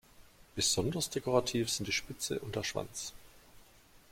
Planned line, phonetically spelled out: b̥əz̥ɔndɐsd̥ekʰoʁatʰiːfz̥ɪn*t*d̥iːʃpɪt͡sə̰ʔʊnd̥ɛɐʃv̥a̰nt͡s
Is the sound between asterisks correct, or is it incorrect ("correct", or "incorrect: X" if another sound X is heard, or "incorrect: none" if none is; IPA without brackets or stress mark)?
correct